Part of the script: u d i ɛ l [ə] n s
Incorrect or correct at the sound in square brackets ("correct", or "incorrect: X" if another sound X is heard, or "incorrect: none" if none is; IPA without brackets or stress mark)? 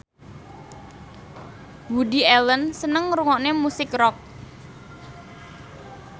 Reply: correct